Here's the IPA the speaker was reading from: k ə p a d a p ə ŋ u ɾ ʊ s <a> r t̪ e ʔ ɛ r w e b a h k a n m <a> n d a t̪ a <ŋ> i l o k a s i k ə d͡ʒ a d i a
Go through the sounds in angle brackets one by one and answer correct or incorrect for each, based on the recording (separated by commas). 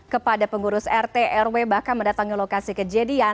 incorrect, incorrect, correct